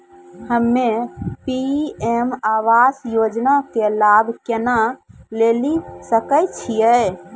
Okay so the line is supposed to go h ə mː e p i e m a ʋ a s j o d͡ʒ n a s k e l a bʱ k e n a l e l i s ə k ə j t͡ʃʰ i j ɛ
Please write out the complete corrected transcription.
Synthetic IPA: h ə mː e p i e m a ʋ a s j o d͡ʒ n a k e l a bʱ k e n a l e l i s ə k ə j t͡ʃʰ i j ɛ